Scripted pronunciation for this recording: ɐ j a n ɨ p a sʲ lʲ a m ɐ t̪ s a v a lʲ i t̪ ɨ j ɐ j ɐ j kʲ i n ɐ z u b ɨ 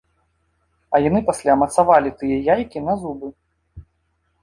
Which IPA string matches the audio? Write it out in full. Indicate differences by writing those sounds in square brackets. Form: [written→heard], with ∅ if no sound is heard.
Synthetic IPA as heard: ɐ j a n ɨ p a sʲ lʲ a m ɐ t̪ s a v a lʲ i t̪ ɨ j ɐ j [ɐ→a] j kʲ i n ɐ z u b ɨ